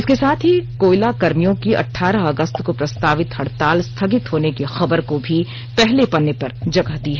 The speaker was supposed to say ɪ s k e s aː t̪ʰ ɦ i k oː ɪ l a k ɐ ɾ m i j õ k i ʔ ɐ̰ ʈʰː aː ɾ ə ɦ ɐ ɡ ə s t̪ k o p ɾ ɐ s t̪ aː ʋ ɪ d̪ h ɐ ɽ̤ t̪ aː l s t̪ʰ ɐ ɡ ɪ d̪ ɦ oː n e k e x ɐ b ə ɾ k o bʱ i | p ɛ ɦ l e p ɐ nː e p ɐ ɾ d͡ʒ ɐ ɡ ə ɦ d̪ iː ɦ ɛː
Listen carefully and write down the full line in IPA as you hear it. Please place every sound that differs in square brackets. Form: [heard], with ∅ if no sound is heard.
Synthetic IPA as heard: ɪ s k e s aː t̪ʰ ɦ i k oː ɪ l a k ɐ ɾ m i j õ k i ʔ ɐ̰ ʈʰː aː ɾ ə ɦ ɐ ɡ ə s t̪ k o p ɾ ɐ s t̪ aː ʋ ɪ [t̪] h ɐ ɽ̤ t̪ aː l s t̪ʰ ɐ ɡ ɪ [t̪] ɦ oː n e k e x ɐ b ə ɾ k o bʱ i | p ɛ ɦ l e p ɐ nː e p ɐ ɾ d͡ʒ ɐ ɡ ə ɦ d̪ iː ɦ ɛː